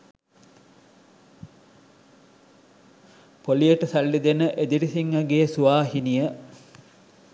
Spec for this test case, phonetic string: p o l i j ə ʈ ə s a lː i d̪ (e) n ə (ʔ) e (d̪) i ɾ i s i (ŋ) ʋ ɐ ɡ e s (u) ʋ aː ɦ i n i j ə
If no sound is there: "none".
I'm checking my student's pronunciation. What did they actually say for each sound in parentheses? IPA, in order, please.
e, ʔ, d̪, ŋ, u

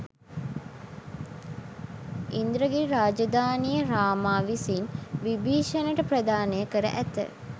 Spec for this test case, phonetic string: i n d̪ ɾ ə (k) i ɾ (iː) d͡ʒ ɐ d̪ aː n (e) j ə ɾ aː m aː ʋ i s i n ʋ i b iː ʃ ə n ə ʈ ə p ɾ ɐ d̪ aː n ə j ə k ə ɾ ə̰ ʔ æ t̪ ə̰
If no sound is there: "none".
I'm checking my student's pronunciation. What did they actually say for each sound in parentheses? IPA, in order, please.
ɡ, aː, i

